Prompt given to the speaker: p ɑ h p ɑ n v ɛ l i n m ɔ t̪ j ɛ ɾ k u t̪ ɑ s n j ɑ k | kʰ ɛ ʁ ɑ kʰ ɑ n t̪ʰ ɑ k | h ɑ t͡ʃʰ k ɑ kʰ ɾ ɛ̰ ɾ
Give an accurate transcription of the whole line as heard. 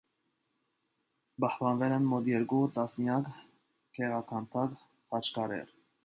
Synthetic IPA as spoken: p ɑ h p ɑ n v ɛ l ɛ n m ɔ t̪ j ɛ ɾ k u t̪ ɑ s n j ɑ k | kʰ ɛ ʁ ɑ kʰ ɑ n t̪ʰ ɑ k | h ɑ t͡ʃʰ k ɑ ɾ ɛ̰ ɾ